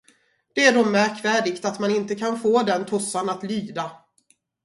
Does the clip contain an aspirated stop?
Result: yes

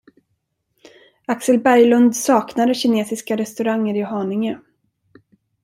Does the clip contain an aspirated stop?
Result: no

